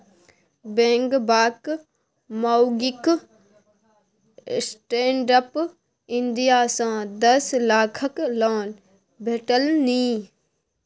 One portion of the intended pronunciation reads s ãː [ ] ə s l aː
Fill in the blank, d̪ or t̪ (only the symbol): d̪